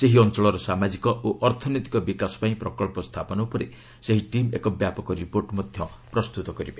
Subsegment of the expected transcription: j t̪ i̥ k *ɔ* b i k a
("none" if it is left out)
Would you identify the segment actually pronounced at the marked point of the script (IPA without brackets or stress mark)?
ɔ